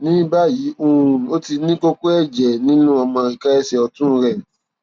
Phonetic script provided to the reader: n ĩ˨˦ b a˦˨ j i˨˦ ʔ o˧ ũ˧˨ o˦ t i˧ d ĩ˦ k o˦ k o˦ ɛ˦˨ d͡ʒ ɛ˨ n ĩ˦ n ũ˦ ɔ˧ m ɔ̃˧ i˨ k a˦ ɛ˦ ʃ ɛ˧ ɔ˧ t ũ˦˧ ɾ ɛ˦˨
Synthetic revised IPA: n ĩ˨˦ b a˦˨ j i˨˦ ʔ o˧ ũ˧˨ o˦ t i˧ n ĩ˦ k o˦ k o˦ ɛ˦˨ d͡ʒ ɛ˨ n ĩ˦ n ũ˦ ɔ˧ m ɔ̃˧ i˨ k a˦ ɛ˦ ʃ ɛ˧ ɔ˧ t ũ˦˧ ɾ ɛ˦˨